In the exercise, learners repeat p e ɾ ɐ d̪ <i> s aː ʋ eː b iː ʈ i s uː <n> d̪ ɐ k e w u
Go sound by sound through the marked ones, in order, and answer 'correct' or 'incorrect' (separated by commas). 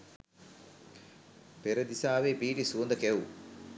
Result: correct, correct